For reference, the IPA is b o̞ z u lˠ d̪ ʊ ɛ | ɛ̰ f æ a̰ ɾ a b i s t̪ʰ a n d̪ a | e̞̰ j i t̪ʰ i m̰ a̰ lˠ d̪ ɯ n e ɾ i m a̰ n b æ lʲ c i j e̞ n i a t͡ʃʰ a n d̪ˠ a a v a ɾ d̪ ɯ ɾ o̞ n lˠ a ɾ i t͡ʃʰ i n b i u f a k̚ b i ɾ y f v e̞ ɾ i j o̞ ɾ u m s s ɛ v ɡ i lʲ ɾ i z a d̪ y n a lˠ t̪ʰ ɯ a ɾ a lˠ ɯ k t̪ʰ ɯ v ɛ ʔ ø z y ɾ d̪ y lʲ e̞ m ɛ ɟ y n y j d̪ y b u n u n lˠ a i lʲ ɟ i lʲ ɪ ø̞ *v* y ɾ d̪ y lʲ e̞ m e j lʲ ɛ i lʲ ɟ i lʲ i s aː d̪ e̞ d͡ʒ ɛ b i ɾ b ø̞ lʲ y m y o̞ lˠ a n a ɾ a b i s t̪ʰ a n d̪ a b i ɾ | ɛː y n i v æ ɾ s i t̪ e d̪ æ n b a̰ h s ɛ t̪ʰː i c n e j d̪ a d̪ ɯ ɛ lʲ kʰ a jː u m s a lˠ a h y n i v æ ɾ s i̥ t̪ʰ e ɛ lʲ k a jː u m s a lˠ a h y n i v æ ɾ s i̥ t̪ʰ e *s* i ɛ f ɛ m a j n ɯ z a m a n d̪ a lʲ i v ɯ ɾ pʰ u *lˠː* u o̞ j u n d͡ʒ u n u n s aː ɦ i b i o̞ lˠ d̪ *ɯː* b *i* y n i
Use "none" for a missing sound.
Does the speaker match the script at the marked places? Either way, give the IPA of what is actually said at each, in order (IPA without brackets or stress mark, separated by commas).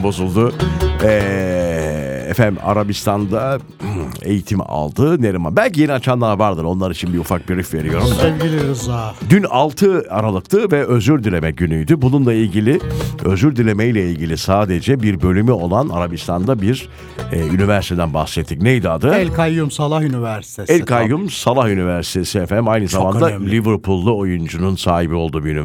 z, s, lˠː, uː, i